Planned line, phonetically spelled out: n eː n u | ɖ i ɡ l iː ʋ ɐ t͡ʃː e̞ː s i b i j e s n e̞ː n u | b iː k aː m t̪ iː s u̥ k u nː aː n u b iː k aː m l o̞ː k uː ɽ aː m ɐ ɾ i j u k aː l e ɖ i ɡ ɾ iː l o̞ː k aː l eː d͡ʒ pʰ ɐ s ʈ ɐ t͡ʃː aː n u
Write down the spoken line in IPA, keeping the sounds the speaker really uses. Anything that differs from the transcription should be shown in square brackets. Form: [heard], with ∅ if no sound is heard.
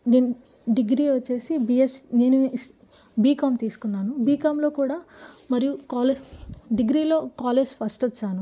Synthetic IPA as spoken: n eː n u | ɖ i ɡ [ɾ] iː ʋ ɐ t͡ʃː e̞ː s i b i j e s n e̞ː n u | b iː k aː m t̪ iː s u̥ k u nː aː n u b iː k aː m l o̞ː k uː ɽ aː m ɐ ɾ i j u k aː l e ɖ i ɡ ɾ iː l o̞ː k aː l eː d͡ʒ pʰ ɐ s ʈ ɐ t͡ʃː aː n u